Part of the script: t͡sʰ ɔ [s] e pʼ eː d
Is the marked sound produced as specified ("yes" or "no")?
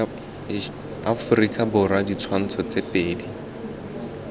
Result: no